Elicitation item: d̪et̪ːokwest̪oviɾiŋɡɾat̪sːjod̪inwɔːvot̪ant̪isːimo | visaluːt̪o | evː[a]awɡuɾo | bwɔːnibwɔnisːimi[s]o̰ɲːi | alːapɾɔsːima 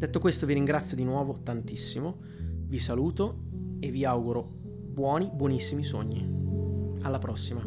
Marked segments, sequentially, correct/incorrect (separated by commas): incorrect, correct